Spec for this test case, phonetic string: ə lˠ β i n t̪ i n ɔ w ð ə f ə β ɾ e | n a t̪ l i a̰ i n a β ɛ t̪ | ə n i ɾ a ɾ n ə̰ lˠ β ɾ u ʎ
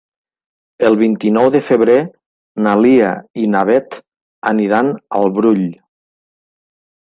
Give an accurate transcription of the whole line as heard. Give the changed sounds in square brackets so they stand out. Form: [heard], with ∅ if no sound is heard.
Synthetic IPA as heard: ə lˠ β i n t̪ i n ɔ w ð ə f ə β ɾ e | n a [∅] l i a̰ i n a β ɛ t̪ | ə n i ɾ a [∅] n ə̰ lˠ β ɾ u ʎ